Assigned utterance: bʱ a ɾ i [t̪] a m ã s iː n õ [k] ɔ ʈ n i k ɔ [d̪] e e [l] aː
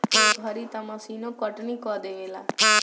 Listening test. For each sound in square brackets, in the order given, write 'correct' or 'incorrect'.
correct, correct, correct, correct

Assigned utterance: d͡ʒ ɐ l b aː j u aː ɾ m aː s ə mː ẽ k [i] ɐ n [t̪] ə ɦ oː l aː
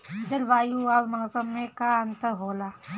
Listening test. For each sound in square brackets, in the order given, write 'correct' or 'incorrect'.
incorrect: a, correct

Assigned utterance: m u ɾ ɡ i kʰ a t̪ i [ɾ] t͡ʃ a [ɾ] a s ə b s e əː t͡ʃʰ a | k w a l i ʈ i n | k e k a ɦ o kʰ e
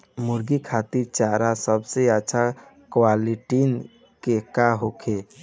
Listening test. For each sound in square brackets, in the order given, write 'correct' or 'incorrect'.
correct, correct

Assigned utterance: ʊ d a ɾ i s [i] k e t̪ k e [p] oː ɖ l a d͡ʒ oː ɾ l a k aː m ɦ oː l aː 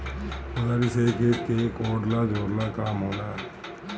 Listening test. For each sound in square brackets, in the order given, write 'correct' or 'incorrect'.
incorrect: e, incorrect: k

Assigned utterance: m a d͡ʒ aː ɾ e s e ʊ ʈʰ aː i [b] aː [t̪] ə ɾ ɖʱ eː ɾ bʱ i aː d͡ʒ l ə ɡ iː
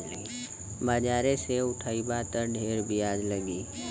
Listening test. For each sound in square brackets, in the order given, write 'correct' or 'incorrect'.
correct, correct

